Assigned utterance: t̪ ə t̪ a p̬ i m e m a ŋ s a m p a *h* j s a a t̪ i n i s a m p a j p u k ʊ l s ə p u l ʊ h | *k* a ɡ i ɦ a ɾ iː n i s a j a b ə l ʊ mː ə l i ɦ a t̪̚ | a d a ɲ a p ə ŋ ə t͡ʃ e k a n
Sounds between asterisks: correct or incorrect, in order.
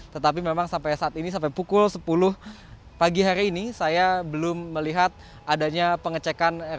incorrect: none, incorrect: p

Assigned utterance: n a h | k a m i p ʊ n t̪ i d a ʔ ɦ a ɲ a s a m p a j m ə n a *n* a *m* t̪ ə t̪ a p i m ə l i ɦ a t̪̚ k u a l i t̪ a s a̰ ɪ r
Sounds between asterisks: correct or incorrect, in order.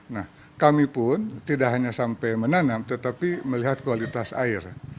correct, correct

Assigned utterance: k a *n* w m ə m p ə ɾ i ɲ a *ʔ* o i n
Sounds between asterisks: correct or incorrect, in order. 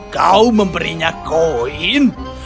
incorrect: none, incorrect: k

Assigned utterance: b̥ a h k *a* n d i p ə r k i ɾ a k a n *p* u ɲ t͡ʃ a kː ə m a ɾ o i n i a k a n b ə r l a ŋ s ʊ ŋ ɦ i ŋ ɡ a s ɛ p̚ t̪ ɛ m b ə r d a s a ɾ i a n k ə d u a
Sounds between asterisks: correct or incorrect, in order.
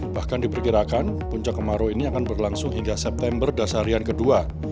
correct, correct

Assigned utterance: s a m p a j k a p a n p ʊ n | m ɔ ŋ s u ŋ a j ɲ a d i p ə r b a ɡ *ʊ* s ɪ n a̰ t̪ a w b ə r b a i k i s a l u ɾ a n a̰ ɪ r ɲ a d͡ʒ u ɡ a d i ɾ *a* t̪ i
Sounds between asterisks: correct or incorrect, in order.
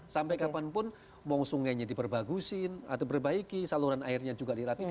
incorrect: u, correct

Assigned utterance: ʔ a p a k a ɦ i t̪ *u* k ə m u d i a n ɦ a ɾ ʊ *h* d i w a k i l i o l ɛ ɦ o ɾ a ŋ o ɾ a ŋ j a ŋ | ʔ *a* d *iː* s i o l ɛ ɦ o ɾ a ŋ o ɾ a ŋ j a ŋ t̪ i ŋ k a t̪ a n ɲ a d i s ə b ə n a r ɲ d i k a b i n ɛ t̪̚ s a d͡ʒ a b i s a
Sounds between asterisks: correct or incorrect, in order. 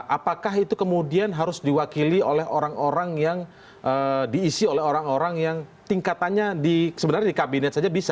correct, incorrect: s, incorrect: ə, correct

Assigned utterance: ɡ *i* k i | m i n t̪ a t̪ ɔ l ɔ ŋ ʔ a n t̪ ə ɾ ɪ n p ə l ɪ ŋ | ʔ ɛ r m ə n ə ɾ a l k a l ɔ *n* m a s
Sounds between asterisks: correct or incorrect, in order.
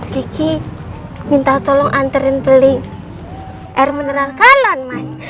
correct, correct

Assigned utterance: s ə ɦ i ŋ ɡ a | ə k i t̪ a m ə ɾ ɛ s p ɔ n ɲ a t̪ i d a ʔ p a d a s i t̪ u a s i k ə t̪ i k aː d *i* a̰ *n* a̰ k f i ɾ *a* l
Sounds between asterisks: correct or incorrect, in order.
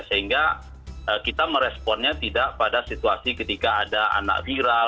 incorrect: a, correct, correct

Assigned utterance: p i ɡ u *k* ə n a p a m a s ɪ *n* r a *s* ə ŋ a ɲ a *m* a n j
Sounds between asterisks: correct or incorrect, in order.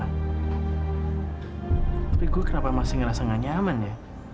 correct, incorrect: ŋ, correct, correct

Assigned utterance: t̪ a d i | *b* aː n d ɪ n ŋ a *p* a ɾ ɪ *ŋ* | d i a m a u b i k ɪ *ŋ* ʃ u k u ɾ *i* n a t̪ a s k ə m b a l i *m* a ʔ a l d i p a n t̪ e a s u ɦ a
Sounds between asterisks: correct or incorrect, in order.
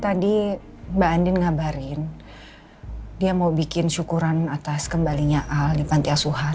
correct, incorrect: b, incorrect: n, incorrect: n, incorrect: a, incorrect: ɲ

